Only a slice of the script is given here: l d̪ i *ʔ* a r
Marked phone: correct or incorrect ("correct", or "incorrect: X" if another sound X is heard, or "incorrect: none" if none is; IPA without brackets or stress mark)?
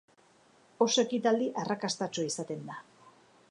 correct